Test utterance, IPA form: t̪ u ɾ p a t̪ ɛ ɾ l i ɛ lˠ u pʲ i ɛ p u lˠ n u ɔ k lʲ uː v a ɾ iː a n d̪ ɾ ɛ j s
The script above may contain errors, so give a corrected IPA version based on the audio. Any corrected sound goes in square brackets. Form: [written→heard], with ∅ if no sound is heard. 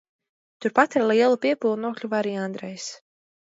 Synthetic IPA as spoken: t̪ u ɾ p a t̪ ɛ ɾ l i ɛ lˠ u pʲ i ɛ p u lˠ n u ɔ k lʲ [uː→u] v a ɾ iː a n d̪ ɾ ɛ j s